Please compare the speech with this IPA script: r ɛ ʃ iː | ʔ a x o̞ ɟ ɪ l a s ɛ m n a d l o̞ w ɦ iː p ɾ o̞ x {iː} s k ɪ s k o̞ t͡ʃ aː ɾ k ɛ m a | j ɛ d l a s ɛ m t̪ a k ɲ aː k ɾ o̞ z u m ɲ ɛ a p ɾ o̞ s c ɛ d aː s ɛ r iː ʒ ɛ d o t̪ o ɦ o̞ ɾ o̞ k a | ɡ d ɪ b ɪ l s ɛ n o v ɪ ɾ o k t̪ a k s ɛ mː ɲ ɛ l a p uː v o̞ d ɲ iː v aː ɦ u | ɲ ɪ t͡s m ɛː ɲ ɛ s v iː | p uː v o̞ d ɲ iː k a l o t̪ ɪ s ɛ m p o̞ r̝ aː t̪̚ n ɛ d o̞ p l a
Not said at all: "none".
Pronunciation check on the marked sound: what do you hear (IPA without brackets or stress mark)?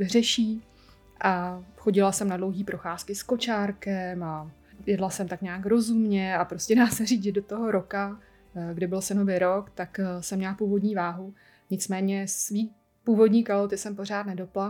aː